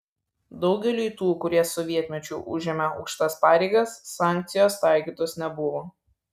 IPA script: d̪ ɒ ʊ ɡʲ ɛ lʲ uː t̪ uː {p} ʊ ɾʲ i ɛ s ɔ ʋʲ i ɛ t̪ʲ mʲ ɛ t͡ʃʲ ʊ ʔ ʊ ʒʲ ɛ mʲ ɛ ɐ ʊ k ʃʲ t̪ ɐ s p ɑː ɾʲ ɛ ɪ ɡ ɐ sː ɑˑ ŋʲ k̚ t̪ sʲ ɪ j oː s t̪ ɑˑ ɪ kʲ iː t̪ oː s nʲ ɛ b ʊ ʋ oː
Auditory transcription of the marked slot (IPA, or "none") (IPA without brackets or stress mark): k